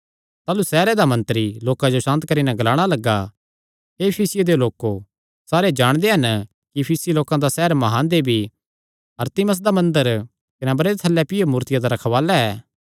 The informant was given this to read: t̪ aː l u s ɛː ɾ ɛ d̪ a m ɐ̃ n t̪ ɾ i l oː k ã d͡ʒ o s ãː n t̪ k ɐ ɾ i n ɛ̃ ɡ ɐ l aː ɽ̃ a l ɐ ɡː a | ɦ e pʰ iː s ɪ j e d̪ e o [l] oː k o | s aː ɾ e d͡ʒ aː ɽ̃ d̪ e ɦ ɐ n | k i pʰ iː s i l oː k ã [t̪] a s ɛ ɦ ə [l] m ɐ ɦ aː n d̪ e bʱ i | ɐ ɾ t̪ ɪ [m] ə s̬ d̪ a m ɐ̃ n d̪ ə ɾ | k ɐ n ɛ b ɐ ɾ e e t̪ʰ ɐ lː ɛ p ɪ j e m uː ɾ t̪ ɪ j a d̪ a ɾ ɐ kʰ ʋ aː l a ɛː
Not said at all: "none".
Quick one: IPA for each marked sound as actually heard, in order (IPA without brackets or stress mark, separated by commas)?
l, d̪, ɾ, m